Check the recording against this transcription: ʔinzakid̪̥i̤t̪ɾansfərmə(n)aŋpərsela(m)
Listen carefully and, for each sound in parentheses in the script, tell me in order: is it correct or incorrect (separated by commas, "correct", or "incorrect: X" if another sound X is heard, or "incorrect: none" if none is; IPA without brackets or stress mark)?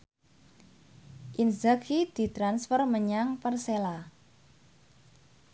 incorrect: ɲ, incorrect: none